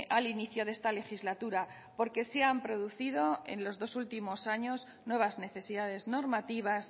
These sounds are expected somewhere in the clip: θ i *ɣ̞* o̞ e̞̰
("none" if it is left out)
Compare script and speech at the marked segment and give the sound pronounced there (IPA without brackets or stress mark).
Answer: ð̞